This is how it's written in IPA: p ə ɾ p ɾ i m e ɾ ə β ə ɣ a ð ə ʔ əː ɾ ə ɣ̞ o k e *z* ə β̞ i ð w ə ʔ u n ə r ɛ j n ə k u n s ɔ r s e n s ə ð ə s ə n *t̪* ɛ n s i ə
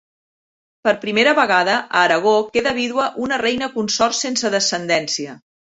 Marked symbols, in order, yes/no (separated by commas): no, no